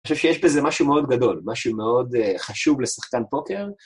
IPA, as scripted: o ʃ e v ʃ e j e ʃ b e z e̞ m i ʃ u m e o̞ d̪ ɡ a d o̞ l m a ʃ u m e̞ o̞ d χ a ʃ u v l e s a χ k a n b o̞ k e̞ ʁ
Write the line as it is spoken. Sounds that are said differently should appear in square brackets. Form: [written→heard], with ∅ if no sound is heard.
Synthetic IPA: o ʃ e v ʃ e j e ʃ b e z e̞ m [i→a] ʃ u m e o̞ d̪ ɡ a d o̞ l m a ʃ u m e̞ o̞ d χ a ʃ u v l e s a χ k a n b o̞ k e̞ ʁ

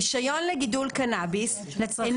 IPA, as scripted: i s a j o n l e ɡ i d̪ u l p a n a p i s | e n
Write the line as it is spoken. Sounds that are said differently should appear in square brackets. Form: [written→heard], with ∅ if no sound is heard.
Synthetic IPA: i [s→ʃ] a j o n l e ɡ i d̪ u l [p→k] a n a [p→b] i s | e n

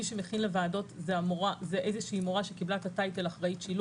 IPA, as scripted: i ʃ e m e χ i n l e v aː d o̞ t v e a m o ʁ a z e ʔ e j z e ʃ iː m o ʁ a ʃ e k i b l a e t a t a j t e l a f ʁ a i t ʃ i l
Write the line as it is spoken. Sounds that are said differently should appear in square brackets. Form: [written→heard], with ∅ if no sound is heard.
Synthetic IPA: i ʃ e m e χ i n l e v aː d o̞ t [v→z] e a m o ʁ a z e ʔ e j z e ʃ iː m o ʁ a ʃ e k i b l a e t a t a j t e l a [f→χ] ʁ a i t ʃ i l

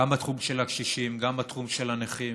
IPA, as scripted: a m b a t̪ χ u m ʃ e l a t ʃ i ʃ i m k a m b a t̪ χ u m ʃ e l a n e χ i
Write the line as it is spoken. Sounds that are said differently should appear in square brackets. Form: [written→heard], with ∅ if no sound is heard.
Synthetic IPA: a m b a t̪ χ u m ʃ e l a [t→k] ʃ i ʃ i m [k→ɡ] a m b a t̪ χ u m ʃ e l a n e χ i

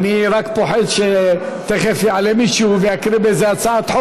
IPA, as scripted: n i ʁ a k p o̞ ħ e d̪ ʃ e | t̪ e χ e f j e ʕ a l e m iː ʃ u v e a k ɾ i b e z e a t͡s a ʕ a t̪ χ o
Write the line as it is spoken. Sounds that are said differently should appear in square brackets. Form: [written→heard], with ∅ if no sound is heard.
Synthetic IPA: n i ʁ a k p o̞ ħ e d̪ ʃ e | t̪ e χ e f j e ʕ a l e m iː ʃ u v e a k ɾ i b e z e a t͡s a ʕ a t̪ [χ→ħ] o

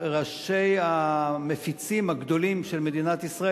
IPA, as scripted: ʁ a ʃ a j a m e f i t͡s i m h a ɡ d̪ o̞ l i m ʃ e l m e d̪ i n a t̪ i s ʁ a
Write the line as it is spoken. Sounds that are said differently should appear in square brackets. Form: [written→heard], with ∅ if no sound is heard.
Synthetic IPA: ʁ a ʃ [a→e] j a m e f i t͡s i m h a ɡ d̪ o̞ l i m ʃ e l m e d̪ i n a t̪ i s ʁ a

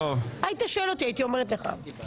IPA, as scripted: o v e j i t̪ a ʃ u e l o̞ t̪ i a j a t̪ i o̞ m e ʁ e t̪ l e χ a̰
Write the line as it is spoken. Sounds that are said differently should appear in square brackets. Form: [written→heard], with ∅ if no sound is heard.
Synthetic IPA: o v [e→a] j i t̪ a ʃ [u→o] e l o̞ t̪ i a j [a→i] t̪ i o̞ m e ʁ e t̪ l e χ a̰

